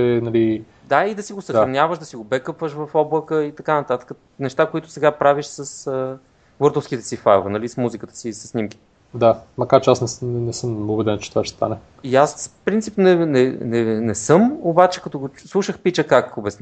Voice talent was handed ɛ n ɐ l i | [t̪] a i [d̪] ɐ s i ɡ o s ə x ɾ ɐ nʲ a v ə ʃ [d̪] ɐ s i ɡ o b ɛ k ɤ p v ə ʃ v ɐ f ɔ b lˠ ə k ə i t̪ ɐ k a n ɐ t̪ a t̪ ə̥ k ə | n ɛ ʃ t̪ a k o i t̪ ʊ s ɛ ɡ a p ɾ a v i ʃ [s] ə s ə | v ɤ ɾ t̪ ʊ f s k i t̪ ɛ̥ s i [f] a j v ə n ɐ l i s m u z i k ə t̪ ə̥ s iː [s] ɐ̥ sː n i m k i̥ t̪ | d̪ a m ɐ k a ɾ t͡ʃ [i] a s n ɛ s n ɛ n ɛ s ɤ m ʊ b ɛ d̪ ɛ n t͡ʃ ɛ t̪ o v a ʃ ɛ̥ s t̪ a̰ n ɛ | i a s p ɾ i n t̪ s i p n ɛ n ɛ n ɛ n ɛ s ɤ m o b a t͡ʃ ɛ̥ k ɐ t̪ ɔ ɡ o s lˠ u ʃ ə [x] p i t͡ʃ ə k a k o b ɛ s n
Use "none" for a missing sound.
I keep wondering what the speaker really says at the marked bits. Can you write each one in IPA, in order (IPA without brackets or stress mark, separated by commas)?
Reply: d̪, d̪, d̪, s, f, s, ɛ, x